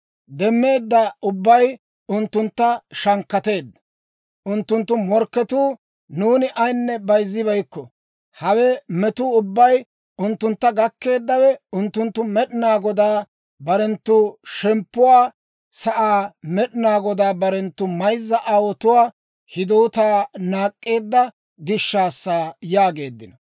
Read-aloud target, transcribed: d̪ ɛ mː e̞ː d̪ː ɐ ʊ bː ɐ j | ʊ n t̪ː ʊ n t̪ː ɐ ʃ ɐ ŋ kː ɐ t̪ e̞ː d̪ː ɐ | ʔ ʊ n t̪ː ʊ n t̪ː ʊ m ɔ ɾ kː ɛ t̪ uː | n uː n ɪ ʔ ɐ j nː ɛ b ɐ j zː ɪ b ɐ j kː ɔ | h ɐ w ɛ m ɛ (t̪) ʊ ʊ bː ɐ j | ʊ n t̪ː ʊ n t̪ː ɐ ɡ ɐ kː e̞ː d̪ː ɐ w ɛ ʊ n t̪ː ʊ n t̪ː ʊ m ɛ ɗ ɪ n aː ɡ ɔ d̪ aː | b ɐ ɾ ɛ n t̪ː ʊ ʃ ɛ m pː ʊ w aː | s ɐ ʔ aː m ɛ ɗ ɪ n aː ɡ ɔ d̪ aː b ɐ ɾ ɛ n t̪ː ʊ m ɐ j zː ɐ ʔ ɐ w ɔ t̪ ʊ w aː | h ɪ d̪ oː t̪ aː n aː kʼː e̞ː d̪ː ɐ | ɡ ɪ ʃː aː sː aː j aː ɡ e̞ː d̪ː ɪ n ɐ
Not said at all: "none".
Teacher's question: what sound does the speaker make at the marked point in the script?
t̪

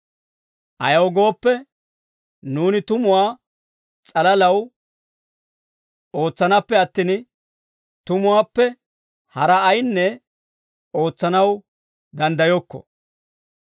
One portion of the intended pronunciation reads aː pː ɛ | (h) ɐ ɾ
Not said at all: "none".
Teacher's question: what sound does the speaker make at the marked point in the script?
h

